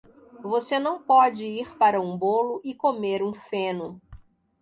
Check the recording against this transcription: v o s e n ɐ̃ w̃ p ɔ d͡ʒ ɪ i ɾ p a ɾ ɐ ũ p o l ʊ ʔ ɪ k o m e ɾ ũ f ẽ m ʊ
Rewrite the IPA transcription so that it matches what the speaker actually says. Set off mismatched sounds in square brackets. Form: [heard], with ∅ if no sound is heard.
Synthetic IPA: v o s e n ɐ̃ w̃ p ɔ d͡ʒ ɪ i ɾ p a ɾ ɐ ũ [b] o l ʊ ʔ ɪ k o m e ɾ ũ f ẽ [n] ʊ